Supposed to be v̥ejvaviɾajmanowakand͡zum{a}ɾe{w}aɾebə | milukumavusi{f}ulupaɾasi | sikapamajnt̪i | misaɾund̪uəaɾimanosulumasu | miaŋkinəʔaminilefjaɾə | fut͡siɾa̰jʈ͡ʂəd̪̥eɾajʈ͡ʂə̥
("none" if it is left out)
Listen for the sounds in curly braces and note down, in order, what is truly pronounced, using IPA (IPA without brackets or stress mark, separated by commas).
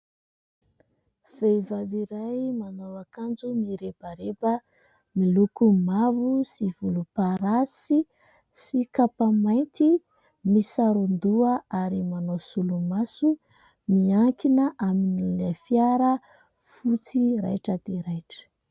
i, b, v